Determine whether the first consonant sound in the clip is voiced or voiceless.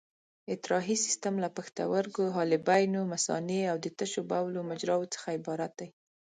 voiceless